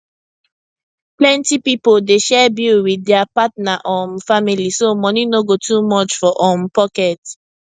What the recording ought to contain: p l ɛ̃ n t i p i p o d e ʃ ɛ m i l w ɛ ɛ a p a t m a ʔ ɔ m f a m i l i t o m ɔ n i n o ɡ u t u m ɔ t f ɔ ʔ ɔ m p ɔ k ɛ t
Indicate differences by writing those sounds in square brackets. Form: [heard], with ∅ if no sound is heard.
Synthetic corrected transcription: p l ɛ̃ n t i p i p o d e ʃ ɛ [b] i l w [i] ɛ a p a t [n] a ʔ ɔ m f a m i l i [s] o m ɔ n i n o ɡ [o] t u m ɔ [t͡ʃ] f ɔ ʔ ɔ m p ɔ k ɛ t